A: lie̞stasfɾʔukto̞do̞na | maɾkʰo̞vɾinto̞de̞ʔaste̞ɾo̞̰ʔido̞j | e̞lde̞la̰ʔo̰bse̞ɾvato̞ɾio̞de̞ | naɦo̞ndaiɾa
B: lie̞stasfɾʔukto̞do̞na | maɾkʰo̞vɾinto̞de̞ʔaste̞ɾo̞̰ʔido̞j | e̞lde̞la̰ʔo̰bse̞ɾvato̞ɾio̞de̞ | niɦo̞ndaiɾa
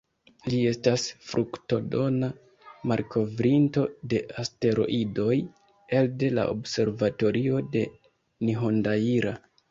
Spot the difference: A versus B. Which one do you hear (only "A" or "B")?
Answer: B